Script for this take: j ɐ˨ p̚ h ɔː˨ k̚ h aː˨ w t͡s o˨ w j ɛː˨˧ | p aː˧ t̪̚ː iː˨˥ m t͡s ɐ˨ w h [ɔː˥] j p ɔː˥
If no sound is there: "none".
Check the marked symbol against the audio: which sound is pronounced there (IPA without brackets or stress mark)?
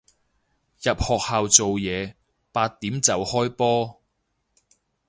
ɔː˥